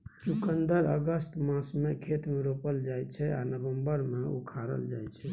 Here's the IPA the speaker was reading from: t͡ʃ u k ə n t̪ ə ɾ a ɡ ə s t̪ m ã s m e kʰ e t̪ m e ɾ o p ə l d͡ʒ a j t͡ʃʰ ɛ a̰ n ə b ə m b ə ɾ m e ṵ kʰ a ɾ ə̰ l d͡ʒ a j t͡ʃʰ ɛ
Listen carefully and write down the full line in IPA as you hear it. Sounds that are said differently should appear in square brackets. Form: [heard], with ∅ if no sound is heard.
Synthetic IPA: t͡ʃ u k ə n [d̪] ə ɾ [ə] ɡ ə s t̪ m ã s m e kʰ e t̪ m e ɾ o p ə l d͡ʒ a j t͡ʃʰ ɛ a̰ n ə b ə m b ə ɾ m e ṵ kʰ a ɾ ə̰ l d͡ʒ a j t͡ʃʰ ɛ